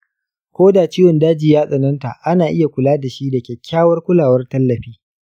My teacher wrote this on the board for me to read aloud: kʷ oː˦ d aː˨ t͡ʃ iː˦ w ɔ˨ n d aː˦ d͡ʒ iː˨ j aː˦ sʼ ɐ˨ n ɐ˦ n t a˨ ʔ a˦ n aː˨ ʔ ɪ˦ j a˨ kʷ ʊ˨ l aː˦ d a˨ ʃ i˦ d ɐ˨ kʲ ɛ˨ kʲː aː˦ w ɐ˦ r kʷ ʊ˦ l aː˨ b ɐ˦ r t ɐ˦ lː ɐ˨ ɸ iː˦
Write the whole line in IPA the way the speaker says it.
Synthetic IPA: kʷ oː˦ d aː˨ t͡ʃ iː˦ w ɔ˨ n d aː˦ d͡ʒ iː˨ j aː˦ sʼ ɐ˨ n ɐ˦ n t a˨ ʔ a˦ n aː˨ ʔ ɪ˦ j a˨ kʷ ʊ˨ l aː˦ d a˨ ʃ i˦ d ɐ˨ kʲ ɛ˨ kʲː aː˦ w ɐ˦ r kʷ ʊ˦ l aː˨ w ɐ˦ r t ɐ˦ lː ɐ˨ ɸ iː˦